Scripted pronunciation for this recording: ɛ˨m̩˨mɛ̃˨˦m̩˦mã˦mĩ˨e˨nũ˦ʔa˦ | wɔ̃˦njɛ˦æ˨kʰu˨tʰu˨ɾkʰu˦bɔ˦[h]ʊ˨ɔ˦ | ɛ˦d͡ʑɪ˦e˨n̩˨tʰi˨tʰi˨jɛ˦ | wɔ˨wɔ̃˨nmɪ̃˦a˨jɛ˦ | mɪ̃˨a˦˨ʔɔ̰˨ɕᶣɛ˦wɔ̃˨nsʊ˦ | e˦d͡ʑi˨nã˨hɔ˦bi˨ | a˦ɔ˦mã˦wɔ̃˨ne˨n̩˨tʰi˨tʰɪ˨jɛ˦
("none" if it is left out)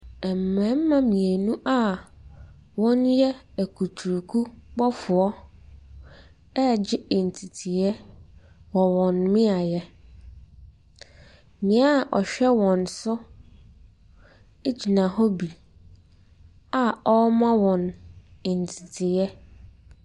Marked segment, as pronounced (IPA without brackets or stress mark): f